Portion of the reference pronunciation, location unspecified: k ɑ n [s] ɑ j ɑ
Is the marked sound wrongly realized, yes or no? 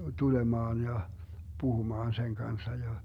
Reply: yes